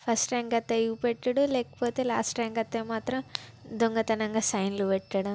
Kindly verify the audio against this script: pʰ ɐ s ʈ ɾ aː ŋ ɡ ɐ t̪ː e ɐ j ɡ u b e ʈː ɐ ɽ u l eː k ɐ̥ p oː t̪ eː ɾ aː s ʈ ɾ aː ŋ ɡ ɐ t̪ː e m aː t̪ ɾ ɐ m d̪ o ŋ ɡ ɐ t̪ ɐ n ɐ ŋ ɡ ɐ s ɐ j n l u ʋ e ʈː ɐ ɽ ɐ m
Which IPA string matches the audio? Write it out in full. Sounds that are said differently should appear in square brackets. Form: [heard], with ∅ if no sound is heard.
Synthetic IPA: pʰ ɐ s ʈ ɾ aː ŋ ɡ ɐ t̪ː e ɐ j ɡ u [p] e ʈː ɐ ɽ u l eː k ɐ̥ p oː t̪ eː [l] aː s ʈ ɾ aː ŋ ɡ ɐ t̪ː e m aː t̪ ɾ ɐ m d̪ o ŋ ɡ ɐ t̪ ɐ n ɐ ŋ ɡ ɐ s ɐ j n l u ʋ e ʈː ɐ ɽ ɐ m

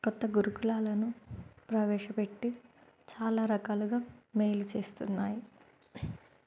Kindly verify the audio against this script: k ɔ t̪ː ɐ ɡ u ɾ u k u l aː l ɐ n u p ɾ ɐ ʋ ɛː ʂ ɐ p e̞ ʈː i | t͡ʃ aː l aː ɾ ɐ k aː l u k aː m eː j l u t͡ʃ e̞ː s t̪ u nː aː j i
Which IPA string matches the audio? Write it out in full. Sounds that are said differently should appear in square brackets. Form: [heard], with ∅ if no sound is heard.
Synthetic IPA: k ɔ t̪ː ɐ ɡ u ɾ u k u l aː l ɐ n u p ɾ ɐ ʋ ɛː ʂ ɐ p e̞ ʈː i | t͡ʃ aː l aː ɾ ɐ k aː l u [ɡ] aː m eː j l u t͡ʃ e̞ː s t̪ u nː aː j i

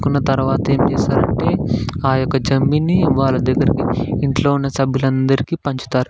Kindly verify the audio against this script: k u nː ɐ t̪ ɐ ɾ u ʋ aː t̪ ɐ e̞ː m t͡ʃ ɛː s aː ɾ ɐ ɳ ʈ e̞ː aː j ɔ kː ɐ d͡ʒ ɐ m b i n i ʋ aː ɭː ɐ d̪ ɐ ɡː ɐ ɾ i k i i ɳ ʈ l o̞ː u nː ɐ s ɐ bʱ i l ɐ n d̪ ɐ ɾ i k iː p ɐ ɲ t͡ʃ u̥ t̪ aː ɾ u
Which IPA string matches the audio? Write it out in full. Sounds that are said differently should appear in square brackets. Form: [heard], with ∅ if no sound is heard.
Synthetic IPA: k u nː ɐ t̪ ɐ ɾ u ʋ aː t̪ ɐ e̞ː m t͡ʃ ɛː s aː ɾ ɐ ɳ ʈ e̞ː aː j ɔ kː ɐ d͡ʒ ɐ m b i n i ʋ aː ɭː ɐ d̪ ɐ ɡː ɐ ɾ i k i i ɳ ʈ l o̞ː u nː ɐ s ɐ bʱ i l ɐ n d̪ ɐ ɾ i k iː p ɐ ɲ t͡ʃ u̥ t̪ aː ɾ u

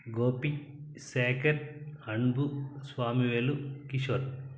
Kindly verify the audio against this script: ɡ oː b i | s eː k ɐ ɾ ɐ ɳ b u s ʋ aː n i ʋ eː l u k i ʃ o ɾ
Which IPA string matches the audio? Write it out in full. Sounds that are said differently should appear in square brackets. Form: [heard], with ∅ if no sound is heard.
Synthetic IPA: ɡ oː [p] i | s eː k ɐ ɾ ɐ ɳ b u s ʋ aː [m] i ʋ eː l u k i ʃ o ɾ

